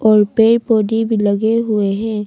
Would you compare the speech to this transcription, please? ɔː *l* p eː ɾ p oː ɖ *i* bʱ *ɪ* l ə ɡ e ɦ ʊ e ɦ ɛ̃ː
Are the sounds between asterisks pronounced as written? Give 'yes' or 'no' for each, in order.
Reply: no, yes, no

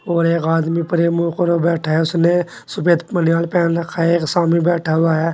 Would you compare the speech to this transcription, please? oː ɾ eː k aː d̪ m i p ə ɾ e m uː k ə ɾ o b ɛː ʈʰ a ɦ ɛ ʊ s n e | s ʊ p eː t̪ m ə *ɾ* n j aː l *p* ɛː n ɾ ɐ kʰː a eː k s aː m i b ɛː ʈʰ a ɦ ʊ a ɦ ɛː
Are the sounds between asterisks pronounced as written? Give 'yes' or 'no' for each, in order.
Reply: no, yes

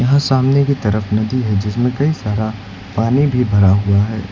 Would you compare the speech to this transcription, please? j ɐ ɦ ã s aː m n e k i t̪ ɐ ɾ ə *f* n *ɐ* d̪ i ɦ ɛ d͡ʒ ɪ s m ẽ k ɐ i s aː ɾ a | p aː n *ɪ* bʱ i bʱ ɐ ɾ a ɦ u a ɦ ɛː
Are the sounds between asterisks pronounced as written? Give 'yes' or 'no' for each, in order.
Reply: yes, yes, no

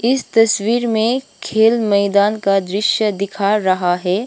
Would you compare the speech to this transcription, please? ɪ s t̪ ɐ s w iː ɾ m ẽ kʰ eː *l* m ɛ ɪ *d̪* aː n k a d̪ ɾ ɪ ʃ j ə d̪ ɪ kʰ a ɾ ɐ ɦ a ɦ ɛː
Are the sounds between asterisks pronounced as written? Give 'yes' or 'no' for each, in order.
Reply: yes, yes

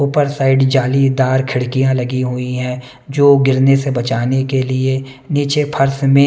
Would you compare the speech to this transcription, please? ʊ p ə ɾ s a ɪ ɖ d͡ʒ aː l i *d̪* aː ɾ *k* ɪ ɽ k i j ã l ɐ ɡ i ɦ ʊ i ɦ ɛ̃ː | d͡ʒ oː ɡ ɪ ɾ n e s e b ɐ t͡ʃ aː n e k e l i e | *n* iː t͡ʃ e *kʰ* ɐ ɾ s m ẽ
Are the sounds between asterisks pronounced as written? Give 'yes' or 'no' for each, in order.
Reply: yes, no, yes, no

